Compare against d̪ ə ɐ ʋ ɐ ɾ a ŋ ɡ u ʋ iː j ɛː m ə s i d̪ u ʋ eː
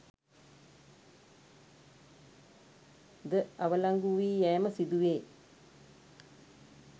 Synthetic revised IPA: d̪ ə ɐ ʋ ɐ l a ŋ ɡ u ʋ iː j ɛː m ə s i d̪ u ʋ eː